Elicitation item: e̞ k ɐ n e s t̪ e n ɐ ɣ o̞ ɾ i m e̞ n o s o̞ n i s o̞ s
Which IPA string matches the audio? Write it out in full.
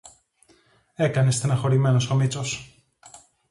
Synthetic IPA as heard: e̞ k ɐ n e s t̪ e n ɐ x o̞ ɾ i m e̞ n o s o̞ m i t͡s o̞ s